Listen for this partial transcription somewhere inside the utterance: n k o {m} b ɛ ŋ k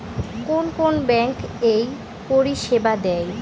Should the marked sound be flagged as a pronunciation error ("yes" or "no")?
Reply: yes